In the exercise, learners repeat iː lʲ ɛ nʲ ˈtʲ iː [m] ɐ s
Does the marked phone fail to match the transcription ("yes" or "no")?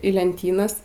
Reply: yes